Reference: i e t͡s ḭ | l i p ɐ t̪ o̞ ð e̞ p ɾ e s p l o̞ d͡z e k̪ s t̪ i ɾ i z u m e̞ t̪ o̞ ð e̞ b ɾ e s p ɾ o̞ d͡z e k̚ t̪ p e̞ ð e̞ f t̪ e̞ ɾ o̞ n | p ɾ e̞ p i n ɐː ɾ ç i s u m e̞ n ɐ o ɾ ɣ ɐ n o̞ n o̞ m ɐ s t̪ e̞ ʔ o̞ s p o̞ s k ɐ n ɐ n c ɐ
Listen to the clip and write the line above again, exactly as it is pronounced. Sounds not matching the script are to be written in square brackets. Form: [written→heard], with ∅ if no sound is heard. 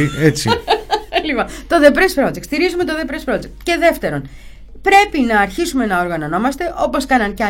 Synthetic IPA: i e t͡s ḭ | l i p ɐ t̪ o̞ ð e̞ p ɾ e s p [l→ɾ] o̞ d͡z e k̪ s t̪ i ɾ i z u m e̞ t̪ o̞ ð e̞ [b→p] ɾ e s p ɾ o̞ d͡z e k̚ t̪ [p→c] e̞ ð e̞ f t̪ e̞ ɾ o̞ n | p ɾ e̞ p i n ɐː ɾ ç i s u m e̞ n ɐ o ɾ ɣ ɐ n o̞ n o̞ m ɐ s t̪ e̞ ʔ o̞ [s→∅] p o̞ s k ɐ n ɐ n c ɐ